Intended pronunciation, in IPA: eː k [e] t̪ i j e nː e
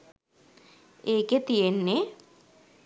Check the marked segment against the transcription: correct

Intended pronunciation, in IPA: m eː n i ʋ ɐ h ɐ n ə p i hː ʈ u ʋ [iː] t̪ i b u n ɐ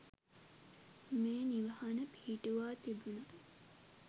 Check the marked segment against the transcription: incorrect: aː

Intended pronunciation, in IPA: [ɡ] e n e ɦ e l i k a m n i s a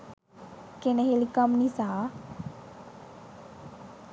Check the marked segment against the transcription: incorrect: k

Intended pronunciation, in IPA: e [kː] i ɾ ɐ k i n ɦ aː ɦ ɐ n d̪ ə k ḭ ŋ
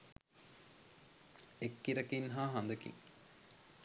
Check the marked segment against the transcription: correct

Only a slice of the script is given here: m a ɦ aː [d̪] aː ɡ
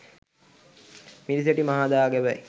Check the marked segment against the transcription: correct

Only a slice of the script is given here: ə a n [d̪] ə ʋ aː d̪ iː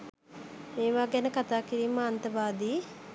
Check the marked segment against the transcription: incorrect: t̪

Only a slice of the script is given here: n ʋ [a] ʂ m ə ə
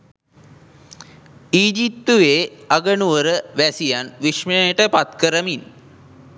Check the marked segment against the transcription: incorrect: i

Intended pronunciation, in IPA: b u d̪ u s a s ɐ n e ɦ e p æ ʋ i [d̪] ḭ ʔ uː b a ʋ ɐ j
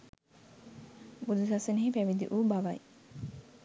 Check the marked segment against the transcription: correct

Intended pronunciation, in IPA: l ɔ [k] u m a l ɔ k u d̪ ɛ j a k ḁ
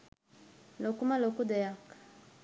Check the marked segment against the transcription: correct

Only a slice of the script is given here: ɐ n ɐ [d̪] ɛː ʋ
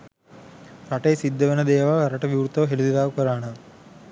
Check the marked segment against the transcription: correct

